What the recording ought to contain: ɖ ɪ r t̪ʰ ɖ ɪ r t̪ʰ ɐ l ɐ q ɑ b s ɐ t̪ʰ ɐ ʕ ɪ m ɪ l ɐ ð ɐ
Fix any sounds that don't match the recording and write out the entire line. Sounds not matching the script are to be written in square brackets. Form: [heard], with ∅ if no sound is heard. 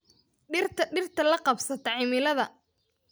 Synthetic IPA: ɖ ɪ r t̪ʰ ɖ ɪ r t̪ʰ ɐ l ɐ q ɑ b s ɐ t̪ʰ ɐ ʕ ɪ m ɪ l ɐ ð ɐ